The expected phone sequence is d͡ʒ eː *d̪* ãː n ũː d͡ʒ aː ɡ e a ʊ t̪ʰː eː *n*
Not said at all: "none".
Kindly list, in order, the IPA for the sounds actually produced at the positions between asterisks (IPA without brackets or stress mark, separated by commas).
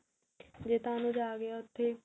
t̪, none